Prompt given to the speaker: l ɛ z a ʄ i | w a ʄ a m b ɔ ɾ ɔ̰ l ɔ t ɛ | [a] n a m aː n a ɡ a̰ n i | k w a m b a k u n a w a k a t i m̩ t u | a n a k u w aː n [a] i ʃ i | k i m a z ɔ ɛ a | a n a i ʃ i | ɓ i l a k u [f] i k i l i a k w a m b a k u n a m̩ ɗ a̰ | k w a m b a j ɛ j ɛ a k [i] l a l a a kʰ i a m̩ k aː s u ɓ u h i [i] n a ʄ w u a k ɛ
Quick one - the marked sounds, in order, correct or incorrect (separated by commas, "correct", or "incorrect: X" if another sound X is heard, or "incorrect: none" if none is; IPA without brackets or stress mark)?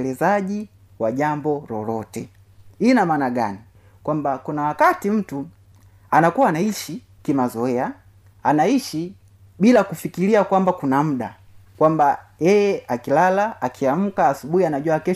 incorrect: i, correct, correct, correct, incorrect: a